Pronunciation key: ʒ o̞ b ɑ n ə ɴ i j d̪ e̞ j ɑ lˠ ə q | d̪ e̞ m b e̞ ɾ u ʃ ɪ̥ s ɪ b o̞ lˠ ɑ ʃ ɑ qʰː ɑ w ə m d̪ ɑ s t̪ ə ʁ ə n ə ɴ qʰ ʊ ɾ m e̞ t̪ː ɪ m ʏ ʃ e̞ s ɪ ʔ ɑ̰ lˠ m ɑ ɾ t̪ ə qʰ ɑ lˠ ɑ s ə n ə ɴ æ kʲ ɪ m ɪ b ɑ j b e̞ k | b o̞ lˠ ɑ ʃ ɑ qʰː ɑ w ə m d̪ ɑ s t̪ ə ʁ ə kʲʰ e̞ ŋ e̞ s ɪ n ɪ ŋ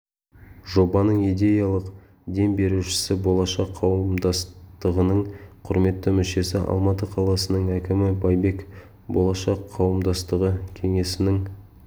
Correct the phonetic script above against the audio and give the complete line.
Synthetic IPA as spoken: ʒ o̞ b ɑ n ə ɴ i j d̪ e̞ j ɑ lˠ ə q | d̪ e̞ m b e̞ ɾ u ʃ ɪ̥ s ɪ b o̞ lˠ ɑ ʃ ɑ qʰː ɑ w ə m d̪ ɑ s t̪ ə ʁ ə n ə ɴ qʰ ʊ ɾ m e̞ t̪ː ɪ m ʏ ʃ e̞ s ɪ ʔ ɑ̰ lˠ m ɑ t̪ ə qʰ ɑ lˠ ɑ s ə n ə ɴ æ kʲ ɪ m ɪ b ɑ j b e̞ k | b o̞ lˠ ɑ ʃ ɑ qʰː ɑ w ə m d̪ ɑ s t̪ ə ʁ ə kʲʰ e̞ ŋ e̞ s ɪ n ɪ ŋ